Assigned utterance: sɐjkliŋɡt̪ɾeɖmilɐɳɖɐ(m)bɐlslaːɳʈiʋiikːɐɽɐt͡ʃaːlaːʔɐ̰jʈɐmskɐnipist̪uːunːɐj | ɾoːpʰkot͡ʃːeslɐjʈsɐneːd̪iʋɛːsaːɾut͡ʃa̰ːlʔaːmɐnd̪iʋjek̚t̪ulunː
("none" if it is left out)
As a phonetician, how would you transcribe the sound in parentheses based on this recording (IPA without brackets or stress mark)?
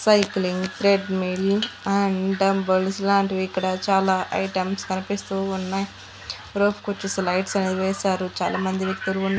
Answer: m